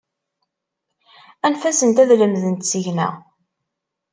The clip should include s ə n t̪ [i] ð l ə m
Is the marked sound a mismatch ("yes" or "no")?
yes